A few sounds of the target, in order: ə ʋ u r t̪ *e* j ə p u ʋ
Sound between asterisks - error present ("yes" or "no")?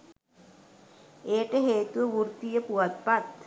yes